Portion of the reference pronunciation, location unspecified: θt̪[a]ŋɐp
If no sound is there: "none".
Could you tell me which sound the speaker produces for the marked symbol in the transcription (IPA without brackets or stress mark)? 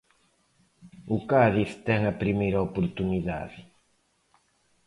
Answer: ɛ